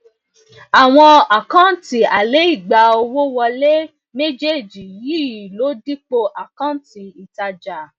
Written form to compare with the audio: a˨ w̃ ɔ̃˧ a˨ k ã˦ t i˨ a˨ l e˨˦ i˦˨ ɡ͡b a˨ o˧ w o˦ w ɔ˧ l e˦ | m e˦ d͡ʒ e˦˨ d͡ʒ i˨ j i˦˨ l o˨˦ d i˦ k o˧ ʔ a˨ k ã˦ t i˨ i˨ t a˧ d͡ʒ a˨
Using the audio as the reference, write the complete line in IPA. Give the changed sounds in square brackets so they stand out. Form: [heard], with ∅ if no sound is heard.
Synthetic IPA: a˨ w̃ ɔ̃˧ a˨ k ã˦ t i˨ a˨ l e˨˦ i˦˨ ɡ͡b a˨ o˧ w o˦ w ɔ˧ l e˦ | m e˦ d͡ʒ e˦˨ d͡ʒ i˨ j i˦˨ l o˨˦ d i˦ [k͡p] o˧ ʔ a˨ k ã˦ t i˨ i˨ t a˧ d͡ʒ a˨